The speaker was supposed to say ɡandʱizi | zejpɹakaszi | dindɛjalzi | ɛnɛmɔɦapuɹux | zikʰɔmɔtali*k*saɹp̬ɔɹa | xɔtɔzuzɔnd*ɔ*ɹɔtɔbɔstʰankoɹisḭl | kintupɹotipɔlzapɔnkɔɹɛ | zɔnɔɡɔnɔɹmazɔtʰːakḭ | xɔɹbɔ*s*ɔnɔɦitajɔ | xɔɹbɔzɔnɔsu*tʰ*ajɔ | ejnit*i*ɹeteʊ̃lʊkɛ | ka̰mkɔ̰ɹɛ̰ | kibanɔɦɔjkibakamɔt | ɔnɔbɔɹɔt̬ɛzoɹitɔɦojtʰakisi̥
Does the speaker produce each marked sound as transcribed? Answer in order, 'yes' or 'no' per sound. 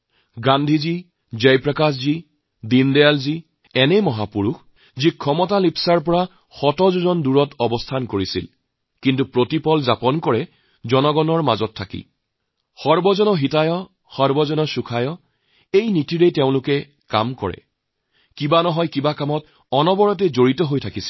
no, no, no, no, yes

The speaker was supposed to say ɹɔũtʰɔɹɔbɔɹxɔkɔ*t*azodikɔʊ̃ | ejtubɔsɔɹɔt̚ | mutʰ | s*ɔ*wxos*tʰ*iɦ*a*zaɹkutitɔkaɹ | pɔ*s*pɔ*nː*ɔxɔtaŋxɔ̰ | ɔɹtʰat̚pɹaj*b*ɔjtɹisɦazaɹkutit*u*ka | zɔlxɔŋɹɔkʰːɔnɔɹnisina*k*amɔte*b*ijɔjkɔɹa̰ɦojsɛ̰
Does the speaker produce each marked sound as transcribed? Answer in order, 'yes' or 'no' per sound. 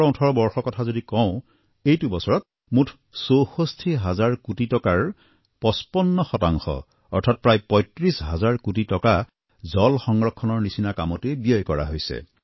no, no, yes, yes, yes, yes, no, no, yes, yes

